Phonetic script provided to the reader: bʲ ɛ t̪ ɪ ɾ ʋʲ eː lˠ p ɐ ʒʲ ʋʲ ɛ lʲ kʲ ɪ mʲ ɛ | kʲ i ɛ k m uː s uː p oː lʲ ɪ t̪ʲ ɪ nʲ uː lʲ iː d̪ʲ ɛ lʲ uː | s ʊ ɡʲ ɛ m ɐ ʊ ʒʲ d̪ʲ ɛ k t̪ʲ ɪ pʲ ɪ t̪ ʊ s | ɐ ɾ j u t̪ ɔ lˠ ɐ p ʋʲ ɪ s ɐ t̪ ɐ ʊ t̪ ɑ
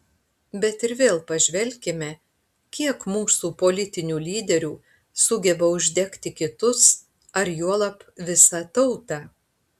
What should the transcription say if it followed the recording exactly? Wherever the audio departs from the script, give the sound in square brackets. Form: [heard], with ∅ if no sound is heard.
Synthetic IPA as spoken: bʲ ɛ t̪ ɪ ɾ ʋʲ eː lˠ p ɐ ʒʲ ʋʲ ɛ lʲ kʲ ɪ mʲ ɛ | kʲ i ɛ k m uː s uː p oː lʲ ɪ t̪ʲ ɪ nʲ uː lʲ iː d̪ʲ ɛ [ɾʲ] uː | s ʊ ɡʲ ɛ [b] ɐ ʊ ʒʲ d̪ʲ ɛ k t̪ʲ ɪ [kʲ] ɪ t̪ ʊ s | ɐ ɾ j u [∅] ɔ lˠ ɐ p ʋʲ ɪ s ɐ t̪ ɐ ʊ t̪ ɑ